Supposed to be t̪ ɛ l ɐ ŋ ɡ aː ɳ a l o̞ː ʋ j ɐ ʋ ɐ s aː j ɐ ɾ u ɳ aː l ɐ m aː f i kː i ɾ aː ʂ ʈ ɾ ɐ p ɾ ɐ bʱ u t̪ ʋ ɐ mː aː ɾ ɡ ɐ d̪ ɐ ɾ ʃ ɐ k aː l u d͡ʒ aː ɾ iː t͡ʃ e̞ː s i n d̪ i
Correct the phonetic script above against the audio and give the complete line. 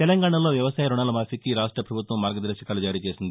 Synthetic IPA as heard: t̪ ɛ l ɐ ŋ ɡ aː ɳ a l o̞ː ʋ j ɐ ʋ ɐ s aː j ɐ ɾ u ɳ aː l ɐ m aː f i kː i ɾ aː ʂ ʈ ɾ ɐ p ɾ ɐ bʱ u t̪ ʋ ɐ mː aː ɾ ɡ ɐ d̪ ɐ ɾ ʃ ɐ k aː l u d͡ʒ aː ɾ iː t͡ʃ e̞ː s i n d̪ i